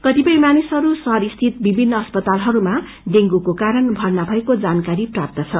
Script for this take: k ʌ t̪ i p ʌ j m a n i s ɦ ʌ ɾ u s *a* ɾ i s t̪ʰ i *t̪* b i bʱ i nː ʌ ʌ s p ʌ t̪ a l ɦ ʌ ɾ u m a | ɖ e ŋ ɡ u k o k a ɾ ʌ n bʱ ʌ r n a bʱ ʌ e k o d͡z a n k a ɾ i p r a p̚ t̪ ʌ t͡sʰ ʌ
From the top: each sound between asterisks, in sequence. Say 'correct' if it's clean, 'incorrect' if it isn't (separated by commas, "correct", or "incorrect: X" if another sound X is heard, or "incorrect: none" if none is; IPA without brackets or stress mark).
incorrect: ʌ, correct